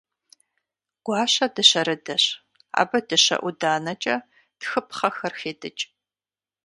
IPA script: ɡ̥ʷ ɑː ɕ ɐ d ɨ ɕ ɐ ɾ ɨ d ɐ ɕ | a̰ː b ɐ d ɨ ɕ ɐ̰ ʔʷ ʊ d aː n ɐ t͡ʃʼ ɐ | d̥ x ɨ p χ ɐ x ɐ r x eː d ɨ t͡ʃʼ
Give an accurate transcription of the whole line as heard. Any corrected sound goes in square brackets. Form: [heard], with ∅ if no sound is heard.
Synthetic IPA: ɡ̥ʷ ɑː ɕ ɐ d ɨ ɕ ɐ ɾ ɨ d ɐ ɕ | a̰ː b ɐ d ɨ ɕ ɐ̰ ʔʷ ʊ d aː n ɐ t͡ʃʼ ɐ | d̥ x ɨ p χ ɐ x ɐ r x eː d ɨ t͡ʃʼ